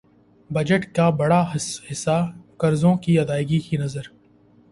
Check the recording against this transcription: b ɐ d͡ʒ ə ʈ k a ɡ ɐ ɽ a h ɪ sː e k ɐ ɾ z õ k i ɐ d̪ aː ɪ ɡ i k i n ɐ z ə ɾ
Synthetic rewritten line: b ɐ d͡ʒ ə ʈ k a b ɐ ɽ a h ɪ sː a k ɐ ɾ z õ k i ɐ d̪ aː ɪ ɡ i k i n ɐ z ə ɾ